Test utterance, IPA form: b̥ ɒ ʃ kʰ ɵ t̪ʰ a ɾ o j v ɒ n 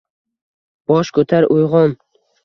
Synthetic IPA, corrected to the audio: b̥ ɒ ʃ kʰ ɵ t̪ʰ a ɾ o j ʁ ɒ n